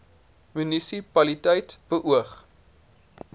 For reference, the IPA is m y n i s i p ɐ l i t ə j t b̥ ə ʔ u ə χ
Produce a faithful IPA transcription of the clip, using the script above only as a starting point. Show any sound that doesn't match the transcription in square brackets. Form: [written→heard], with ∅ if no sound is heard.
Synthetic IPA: m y n i s i p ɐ l i t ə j t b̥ ə ʔ u ə χ